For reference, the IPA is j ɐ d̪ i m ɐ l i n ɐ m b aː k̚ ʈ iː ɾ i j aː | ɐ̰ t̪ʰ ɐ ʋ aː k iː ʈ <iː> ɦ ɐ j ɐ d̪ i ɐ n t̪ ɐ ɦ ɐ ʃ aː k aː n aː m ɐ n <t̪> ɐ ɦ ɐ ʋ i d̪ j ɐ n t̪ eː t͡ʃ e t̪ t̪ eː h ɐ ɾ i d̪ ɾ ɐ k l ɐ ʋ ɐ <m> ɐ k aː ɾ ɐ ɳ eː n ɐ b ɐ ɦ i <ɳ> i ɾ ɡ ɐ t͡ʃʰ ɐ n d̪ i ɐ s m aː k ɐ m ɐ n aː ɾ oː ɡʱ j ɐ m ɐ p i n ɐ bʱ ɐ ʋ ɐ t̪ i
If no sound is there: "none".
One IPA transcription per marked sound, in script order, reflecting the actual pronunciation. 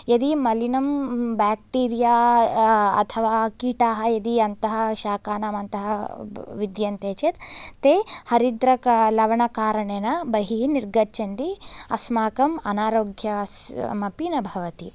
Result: aː, t̪, ɳ, n

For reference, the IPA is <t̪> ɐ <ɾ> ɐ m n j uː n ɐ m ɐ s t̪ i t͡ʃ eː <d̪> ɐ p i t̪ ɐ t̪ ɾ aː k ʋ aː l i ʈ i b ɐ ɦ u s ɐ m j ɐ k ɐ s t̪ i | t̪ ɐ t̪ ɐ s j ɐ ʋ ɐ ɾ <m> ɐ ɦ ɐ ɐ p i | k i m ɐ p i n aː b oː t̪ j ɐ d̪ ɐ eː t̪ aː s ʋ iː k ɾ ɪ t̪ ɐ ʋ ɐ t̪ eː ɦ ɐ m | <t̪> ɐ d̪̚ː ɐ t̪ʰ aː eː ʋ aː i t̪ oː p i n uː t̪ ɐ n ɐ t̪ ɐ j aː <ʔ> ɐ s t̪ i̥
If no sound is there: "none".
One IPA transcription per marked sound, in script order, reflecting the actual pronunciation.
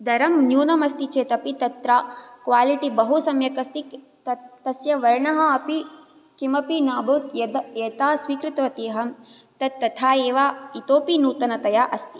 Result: d̪, ɾ, t̪, ɳ, t̪, ʔ

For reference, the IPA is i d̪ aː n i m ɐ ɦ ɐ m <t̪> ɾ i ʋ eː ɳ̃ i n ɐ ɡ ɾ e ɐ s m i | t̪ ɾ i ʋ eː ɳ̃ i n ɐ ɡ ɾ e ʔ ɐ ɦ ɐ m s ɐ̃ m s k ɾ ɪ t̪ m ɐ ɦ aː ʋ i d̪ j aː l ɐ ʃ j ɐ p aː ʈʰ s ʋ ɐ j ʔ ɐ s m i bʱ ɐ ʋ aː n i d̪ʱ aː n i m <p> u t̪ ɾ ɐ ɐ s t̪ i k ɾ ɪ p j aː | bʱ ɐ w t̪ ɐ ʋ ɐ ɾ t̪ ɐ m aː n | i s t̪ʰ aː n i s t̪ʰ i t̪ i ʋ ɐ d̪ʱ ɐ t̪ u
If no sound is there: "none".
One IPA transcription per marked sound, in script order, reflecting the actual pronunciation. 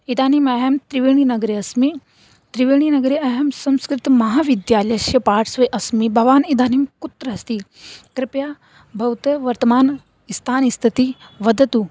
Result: t̪, k

